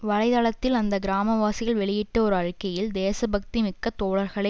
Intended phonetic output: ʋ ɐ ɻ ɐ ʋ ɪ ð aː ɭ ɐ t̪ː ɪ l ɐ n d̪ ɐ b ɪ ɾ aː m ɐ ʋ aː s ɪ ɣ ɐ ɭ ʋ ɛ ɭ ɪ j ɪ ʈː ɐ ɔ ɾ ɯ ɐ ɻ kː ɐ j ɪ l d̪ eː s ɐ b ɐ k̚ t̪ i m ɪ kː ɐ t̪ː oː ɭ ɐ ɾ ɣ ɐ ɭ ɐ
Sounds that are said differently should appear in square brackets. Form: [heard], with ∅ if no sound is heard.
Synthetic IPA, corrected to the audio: ʋ ɐ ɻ ɐ [∅] ɪ ð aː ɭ ɐ t̪ː ɪ l ɐ n d̪ ɐ [ɡ] ɪ ɾ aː m ɐ ʋ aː s ɪ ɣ ɐ ɭ ʋ ɛ ɭ ɪ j ɪ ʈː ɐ ɔ ɾ ɯ ɐ ɻ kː ɐ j ɪ l d̪ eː s ɐ b ɐ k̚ t̪ i m ɪ kː ɐ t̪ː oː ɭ ɐ ɾ ɣ ɐ ɭ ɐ